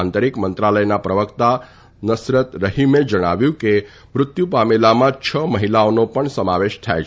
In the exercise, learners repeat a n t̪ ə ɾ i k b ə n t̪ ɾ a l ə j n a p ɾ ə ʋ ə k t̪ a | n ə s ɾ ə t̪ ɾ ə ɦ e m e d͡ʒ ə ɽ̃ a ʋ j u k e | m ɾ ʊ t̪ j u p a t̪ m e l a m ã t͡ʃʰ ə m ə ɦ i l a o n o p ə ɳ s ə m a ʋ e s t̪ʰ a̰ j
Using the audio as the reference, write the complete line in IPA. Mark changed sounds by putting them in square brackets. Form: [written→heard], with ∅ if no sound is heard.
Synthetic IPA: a n t̪ ə ɾ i k [b→m] ə n t̪ ɾ a l ə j n a p ɾ ə ʋ ə k t̪ a | n ə s ɾ ə t̪ ɾ ə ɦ [e→i] m e d͡ʒ ə ɽ̃ a ʋ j [u→ũ] k e | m ɾ ʊ t̪ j u p a [t̪→∅] m e l a m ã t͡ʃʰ ə m ə ɦ i l a o n o p ə ɳ s ə m a ʋ e [s→ʃ] t̪ʰ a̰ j